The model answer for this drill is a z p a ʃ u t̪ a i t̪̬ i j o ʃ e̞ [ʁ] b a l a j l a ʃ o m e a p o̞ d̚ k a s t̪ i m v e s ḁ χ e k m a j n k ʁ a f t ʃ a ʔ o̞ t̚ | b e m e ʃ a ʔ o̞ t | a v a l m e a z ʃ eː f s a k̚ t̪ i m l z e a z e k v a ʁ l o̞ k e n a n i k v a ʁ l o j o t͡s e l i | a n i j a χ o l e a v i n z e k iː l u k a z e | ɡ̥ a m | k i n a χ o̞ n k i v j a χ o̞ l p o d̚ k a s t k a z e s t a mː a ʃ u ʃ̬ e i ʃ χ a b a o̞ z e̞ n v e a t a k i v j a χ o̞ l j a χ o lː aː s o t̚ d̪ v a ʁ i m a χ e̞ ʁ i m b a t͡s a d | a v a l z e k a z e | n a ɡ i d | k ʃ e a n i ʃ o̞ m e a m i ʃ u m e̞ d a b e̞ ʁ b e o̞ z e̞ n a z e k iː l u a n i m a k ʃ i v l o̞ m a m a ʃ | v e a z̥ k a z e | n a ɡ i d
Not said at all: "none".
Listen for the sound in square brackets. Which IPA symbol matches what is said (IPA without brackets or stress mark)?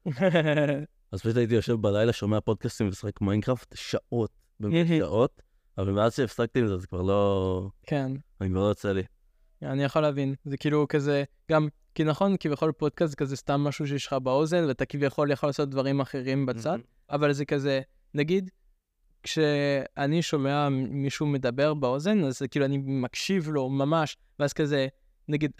v